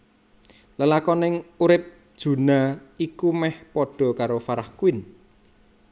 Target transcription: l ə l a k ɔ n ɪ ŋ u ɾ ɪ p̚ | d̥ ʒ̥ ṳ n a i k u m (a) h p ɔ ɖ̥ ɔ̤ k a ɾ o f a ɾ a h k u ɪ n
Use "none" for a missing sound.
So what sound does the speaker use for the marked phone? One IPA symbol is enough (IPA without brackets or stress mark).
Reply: ɛ